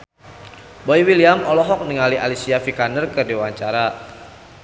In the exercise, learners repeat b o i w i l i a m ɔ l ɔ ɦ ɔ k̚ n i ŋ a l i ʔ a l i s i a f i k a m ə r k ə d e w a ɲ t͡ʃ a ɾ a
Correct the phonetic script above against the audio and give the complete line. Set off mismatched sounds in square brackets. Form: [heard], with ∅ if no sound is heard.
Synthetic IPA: b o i w i l i a m ɔ l ɔ ɦ ɔ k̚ n i ŋ a l i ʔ a l i s i a f i k a [n] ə r k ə d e w a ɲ t͡ʃ a ɾ a